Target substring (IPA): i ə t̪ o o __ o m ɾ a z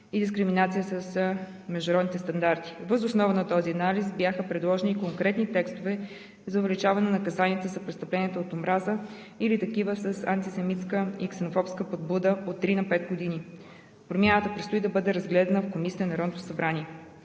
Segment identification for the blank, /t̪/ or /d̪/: t̪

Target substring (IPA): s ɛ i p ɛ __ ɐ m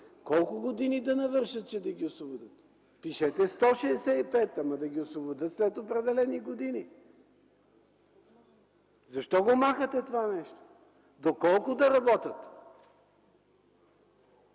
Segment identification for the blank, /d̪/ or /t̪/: t̪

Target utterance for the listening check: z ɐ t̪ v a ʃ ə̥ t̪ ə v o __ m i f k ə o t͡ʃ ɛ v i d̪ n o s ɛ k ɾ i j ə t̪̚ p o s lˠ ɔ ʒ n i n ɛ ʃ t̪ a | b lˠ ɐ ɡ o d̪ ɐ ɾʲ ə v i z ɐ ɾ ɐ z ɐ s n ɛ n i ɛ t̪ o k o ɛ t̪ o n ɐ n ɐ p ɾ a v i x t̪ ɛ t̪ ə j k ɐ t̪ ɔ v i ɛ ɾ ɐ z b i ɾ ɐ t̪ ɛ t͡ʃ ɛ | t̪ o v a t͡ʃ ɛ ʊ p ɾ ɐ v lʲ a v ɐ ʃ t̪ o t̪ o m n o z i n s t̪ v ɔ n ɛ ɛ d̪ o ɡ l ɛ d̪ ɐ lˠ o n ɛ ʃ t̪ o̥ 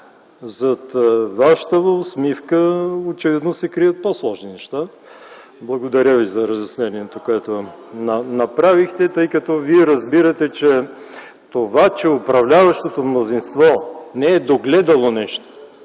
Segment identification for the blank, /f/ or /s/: s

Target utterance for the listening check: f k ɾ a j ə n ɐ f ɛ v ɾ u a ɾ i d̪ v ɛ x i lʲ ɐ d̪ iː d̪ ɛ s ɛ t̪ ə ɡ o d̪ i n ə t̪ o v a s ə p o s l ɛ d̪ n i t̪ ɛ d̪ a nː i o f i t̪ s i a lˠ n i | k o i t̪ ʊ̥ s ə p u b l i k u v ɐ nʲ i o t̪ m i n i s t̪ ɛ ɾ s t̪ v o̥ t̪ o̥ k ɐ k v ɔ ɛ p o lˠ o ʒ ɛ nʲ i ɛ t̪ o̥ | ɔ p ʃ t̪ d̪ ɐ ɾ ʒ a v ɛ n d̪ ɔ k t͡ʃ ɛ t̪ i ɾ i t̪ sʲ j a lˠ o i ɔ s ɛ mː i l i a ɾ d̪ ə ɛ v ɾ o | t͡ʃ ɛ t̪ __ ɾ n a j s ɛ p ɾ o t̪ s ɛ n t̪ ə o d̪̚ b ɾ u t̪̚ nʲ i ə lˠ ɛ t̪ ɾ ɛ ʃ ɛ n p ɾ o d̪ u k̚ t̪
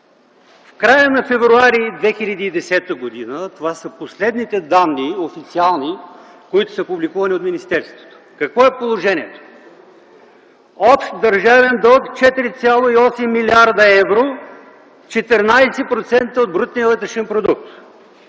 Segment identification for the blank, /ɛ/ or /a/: ɛ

